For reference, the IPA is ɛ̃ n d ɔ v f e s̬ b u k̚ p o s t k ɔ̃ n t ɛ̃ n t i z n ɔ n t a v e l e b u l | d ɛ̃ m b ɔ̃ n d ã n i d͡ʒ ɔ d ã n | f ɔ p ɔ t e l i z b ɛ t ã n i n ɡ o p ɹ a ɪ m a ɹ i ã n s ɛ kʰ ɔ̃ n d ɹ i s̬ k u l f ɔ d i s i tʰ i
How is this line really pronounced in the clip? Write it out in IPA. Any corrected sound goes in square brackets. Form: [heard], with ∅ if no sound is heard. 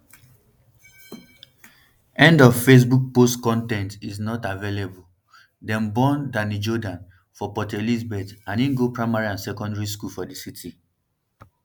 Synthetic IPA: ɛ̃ n d ɔ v f e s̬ b u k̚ p o s t k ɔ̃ n t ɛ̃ n t i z n ɔ [∅] t a v e l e b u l | d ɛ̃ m b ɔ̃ n d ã n i d͡ʒ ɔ d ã n | f ɔ p ɔ t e l i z b ɛ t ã n i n ɡ o p ɹ a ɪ m a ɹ i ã n s ɛ [k] ɔ̃ n d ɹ i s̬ k u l f ɔ d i s i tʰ i